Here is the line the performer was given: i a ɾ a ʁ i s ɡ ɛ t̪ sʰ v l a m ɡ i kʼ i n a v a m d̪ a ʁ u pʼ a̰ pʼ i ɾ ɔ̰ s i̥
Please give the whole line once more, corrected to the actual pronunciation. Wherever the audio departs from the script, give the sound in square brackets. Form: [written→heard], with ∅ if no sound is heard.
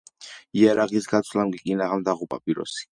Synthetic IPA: i a ɾ a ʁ i s ɡ [ɛ→a] t̪ sʰ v l a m ɡ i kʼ i n a [v→ʁ] a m d̪ a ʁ u pʼ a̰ pʼ i ɾ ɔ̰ s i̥